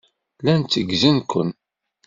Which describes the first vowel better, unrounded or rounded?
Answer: unrounded